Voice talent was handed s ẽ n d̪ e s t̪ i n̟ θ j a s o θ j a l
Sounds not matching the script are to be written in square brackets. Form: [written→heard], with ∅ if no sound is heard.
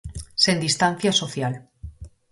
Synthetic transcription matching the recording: s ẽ n d̪ [e→i] s t̪ [i→a] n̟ θ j a s o θ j a l